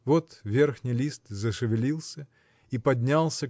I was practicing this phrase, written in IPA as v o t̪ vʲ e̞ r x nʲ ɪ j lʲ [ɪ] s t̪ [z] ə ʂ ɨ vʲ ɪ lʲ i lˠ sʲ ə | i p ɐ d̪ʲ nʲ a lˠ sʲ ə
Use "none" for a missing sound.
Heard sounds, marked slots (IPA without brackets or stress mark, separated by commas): i, z